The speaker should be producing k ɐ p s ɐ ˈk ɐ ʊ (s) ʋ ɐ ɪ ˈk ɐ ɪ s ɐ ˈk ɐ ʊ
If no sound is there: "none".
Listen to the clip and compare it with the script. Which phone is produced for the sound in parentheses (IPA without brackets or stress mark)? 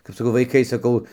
none